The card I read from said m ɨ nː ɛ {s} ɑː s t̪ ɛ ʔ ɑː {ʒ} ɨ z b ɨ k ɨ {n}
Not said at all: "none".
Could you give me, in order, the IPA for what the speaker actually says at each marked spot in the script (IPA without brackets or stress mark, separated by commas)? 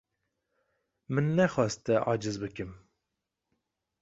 x, d͡ʒ, m